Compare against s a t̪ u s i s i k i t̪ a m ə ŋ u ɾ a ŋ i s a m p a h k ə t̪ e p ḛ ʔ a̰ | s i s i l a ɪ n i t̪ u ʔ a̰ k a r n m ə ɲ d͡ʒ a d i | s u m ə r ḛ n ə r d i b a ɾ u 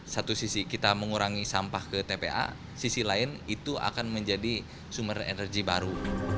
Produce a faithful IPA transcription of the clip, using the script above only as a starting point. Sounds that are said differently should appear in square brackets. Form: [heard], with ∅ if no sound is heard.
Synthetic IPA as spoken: s a t̪ u s i s i k i t̪ a m ə ŋ u ɾ a ŋ i s a m p a h k ə t̪ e p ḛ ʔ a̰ | s i s i l a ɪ n i t̪ u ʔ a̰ k a [∅] n m ə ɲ d͡ʒ a d i | s u m ə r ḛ n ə r [ɡ] i b a ɾ u

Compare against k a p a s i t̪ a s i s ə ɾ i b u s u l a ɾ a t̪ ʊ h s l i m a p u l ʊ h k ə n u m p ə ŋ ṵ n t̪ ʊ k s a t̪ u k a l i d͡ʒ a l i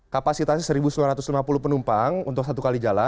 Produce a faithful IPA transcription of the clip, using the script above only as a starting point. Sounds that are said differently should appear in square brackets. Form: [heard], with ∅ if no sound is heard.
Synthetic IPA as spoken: k a p a s i t̪ a s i s ə ɾ i b u s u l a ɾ a t̪ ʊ [∅] s l i m a p u l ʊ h [p] ə n u m p [a] ŋ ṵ n t̪ ʊ k s a t̪ u k a l i d͡ʒ a l [a]

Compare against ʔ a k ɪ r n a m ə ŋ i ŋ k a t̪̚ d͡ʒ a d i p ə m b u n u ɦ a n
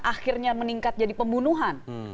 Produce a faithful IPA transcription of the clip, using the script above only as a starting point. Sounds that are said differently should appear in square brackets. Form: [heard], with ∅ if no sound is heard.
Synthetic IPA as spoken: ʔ a [x] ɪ r [ɲ] a m ə [n] i ŋ k a t̪̚ d͡ʒ a d i p ə m b u n u ɦ a n

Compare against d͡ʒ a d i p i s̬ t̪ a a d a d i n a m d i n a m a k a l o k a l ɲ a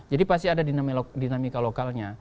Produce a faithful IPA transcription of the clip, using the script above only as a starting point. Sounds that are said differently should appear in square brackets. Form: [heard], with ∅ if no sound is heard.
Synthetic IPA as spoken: d͡ʒ a d i p [a] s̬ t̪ [i] a d a d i n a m d i n a m [i] k a l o k a l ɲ a

